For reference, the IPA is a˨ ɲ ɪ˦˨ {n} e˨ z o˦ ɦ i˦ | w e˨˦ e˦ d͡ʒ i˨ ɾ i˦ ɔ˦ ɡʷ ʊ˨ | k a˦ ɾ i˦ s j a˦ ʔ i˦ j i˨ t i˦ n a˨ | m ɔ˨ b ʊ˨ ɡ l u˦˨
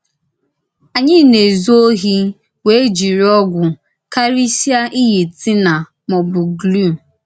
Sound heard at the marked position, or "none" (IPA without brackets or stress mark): n